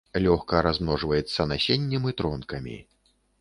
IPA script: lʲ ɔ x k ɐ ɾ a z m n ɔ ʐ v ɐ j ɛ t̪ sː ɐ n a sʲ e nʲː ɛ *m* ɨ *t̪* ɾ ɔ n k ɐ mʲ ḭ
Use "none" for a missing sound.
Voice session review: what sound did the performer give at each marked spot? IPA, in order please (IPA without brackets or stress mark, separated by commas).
m, t̪